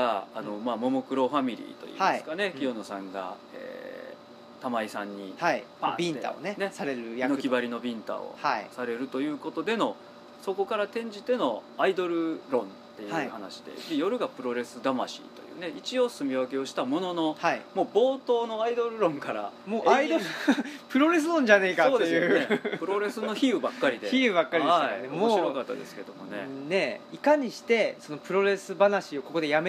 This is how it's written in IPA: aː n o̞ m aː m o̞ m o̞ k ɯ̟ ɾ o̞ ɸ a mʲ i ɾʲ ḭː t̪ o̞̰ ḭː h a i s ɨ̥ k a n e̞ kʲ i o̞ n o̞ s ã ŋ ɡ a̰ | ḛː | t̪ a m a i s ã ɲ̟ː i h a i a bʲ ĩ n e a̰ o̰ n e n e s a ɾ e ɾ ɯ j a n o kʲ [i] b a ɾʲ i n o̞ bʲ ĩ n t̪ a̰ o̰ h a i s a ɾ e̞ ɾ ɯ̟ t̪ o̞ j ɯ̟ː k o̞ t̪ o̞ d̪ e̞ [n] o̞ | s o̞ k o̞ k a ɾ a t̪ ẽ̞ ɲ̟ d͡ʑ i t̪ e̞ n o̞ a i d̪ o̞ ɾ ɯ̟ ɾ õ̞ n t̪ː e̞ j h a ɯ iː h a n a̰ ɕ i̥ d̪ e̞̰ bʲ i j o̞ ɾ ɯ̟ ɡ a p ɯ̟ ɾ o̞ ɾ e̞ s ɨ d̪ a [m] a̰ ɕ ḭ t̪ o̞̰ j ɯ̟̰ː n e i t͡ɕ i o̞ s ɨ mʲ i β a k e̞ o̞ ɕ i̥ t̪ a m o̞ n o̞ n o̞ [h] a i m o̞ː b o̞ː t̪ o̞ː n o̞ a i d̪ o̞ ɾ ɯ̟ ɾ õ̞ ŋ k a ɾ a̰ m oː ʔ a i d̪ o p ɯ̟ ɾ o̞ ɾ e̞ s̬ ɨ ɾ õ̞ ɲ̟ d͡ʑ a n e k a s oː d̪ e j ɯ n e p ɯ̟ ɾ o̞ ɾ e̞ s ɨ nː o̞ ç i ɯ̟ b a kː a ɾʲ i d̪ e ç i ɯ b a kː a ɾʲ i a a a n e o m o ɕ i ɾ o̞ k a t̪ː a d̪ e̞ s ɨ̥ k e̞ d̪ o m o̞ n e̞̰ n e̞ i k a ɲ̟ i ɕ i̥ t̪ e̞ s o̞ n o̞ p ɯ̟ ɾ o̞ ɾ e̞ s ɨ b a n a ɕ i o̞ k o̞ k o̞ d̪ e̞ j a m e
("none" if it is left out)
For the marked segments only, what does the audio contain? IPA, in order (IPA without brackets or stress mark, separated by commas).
i, n, m, h